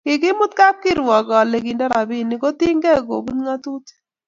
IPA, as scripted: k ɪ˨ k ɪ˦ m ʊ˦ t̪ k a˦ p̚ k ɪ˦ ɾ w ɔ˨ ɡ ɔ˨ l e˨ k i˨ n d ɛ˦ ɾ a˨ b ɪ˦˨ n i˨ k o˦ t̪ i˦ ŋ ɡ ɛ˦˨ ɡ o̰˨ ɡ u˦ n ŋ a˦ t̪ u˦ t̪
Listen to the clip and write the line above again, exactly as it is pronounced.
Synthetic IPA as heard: k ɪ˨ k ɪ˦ m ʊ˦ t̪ k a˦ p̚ k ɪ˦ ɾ w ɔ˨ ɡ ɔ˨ l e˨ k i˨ n d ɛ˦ ɾ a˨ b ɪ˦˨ n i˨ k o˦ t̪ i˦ ŋ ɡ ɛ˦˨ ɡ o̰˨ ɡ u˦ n ŋ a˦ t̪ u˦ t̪